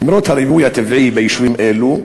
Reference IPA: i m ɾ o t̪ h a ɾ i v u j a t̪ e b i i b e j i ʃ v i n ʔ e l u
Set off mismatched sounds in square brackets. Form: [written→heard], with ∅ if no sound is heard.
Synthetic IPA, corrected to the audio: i m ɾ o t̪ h a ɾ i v u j a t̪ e [b→v] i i b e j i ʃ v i [n→m] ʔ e l u